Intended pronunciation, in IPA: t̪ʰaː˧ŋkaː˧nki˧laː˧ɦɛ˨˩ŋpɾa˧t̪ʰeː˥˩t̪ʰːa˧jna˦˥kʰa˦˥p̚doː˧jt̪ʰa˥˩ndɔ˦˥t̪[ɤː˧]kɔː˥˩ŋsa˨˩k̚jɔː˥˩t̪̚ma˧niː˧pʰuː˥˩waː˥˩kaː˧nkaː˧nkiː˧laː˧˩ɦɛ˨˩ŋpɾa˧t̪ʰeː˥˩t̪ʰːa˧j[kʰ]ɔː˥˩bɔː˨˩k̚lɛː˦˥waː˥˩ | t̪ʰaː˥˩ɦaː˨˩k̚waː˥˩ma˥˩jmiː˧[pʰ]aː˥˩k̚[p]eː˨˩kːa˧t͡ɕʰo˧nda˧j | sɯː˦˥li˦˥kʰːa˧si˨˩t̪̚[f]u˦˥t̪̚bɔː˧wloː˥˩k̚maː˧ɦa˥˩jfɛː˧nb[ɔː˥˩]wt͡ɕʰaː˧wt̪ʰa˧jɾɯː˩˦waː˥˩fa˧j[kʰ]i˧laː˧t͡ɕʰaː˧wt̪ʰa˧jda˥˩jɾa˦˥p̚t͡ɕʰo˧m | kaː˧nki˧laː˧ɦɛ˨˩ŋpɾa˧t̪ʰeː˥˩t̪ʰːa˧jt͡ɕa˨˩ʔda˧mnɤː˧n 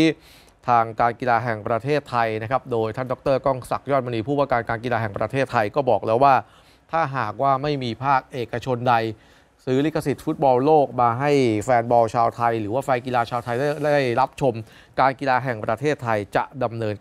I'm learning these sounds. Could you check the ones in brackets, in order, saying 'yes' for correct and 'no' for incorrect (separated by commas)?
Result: no, no, yes, no, yes, no, no